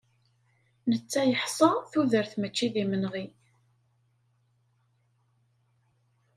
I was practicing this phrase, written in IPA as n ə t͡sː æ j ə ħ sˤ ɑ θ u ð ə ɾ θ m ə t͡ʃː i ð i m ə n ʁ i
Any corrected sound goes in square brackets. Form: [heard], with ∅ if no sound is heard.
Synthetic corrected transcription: n ə t͡sː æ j ə ħ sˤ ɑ θ u ð ə ɾ θ m ə t͡ʃː i ð i m ə n ʁ i